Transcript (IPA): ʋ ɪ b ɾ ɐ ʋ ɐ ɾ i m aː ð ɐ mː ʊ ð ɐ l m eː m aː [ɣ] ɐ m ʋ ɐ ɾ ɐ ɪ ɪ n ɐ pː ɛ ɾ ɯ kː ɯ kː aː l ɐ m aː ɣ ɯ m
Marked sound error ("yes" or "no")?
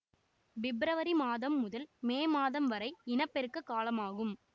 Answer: yes